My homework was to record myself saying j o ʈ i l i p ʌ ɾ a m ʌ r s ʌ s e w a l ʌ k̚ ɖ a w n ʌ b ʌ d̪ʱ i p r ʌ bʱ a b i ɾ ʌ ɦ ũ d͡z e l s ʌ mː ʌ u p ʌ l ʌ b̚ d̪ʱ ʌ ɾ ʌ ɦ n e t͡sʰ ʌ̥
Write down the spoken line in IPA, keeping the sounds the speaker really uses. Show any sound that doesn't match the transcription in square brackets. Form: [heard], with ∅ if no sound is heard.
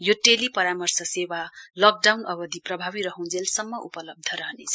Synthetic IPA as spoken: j o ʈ [e] l i p ʌ ɾ a m ʌ r s ʌ s e w a l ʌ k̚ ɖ a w n ʌ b ʌ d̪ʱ i p r ʌ bʱ a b i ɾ ʌ ɦ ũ d͡z e l s ʌ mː ʌ u p ʌ l ʌ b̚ d̪ʱ ʌ ɾ ʌ ɦ n e t͡sʰ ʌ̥